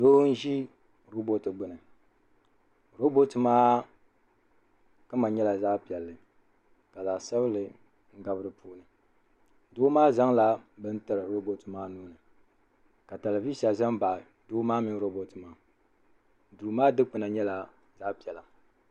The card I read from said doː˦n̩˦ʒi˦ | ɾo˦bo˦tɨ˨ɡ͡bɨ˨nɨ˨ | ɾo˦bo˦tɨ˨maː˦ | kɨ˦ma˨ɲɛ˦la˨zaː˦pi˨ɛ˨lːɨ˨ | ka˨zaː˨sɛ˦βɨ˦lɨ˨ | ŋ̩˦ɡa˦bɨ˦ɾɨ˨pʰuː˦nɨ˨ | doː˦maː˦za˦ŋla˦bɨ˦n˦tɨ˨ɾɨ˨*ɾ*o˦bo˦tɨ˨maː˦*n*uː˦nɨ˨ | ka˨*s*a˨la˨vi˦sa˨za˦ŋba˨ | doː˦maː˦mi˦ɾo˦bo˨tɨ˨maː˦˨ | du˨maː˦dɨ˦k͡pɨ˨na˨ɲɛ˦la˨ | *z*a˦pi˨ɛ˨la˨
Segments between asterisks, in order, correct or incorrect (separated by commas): correct, correct, incorrect, correct